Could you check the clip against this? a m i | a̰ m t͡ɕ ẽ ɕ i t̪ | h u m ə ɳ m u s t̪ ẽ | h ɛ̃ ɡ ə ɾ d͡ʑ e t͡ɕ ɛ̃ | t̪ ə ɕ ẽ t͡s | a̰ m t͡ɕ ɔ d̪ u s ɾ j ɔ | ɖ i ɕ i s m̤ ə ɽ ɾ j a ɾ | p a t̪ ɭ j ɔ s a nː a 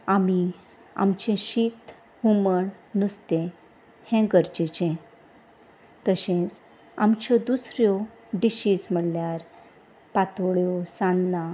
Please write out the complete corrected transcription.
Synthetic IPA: a m i | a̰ m t͡ɕ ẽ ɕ i t̪ | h u m ə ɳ n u s t̪ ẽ | h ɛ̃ ɡ ə ɾ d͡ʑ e t͡ɕ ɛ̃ | t̪ ə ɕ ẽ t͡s | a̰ m t͡ɕ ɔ d̪ u s ɾ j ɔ | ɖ i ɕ i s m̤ ə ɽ l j a ɾ | p a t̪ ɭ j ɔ s a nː a